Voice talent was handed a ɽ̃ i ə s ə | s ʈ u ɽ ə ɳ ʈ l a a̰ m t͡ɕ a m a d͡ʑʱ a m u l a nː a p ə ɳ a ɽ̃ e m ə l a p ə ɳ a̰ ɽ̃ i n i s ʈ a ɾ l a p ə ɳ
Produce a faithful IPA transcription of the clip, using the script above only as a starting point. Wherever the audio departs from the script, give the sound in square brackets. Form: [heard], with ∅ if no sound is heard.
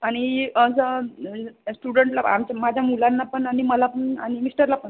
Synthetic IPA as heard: a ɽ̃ i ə s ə | s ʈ u ɽ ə ɳ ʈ l a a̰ m t͡ɕ a m a d͡ʑʱ a m u l a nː a p ə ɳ a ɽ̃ [i] m ə l a p ə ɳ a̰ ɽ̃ i [m] i s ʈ [ə] ɾ l a p ə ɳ